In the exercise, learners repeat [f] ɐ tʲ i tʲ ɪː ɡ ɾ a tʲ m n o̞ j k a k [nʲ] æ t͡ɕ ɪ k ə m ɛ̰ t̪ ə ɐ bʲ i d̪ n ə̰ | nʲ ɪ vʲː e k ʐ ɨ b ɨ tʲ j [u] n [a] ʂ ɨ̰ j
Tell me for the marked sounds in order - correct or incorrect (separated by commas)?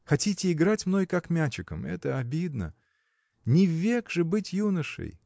incorrect, incorrect, correct, incorrect